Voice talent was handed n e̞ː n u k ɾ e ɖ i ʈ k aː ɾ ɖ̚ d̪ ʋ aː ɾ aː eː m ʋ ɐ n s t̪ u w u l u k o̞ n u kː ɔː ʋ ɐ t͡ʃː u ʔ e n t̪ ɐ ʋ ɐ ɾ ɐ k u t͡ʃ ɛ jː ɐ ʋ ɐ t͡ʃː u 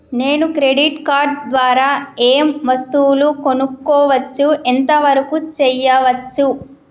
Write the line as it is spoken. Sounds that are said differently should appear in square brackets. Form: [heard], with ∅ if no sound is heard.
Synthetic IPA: n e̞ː n u k ɾ e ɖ i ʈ k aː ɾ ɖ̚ d̪ ʋ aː ɾ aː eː m ʋ ɐ [∅] s t̪ u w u l u k o̞ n u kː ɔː ʋ ɐ t͡ʃː u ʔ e n t̪ ɐ ʋ ɐ ɾ ɐ k u t͡ʃ ɛ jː ɐ ʋ ɐ t͡ʃː u